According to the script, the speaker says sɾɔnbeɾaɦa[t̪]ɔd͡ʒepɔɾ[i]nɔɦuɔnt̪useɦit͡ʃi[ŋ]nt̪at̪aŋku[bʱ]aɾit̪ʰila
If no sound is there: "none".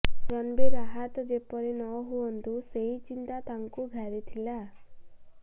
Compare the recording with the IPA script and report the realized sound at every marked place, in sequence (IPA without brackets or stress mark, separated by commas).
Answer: t̪, i, none, ɡʱ